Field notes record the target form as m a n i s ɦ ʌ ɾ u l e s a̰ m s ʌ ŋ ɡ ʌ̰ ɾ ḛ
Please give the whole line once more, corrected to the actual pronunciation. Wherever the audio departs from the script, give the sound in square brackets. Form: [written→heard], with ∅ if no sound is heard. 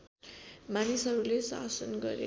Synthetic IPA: m a n i s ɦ ʌ ɾ u l e s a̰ [m→∅] s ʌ [ŋ→n] ɡ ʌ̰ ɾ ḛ